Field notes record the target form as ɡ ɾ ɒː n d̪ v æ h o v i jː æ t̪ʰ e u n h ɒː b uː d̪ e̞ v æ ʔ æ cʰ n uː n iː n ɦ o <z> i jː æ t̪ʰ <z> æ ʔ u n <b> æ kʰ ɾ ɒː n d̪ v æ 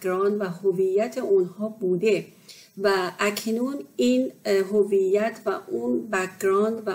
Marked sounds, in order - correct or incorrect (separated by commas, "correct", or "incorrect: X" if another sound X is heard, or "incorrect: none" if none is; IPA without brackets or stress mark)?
incorrect: v, incorrect: v, correct